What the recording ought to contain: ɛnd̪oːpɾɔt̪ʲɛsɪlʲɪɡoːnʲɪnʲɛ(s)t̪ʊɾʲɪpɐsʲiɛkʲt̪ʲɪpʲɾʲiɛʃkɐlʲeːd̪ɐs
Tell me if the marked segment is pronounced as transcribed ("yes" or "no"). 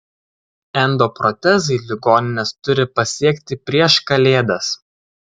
yes